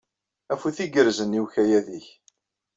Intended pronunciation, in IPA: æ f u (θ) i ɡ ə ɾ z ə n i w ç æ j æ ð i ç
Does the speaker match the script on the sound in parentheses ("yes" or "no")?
yes